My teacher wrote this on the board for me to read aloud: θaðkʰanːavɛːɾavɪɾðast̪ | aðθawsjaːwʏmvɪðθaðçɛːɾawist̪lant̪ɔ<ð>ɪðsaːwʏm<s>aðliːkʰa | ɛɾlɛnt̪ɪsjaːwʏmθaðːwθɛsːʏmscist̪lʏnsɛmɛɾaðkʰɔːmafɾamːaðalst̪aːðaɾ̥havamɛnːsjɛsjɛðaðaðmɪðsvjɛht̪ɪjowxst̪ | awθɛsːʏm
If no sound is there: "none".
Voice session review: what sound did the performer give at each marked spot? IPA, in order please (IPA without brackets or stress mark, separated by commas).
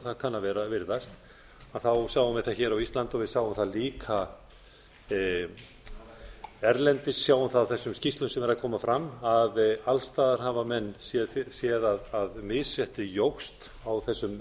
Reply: v, θ